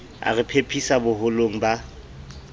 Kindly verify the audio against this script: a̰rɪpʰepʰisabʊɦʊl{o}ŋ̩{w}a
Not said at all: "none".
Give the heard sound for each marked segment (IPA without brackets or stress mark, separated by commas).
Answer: o, b